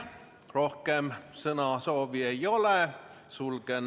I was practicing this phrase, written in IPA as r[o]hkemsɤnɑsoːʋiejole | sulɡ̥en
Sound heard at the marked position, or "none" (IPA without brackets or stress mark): o